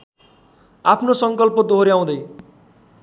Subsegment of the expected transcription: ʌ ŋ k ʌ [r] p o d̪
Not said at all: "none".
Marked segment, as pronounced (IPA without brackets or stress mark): l